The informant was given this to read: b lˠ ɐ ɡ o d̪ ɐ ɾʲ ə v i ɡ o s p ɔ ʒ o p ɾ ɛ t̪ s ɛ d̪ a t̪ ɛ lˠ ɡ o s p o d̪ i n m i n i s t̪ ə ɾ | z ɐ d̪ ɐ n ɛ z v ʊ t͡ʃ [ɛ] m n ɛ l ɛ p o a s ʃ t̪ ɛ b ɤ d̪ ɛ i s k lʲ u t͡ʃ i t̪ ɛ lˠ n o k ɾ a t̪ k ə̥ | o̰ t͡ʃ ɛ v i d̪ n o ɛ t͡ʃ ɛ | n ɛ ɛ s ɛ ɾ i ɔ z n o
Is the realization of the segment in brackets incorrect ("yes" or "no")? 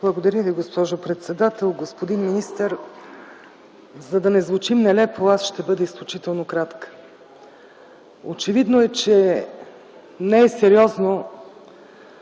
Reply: yes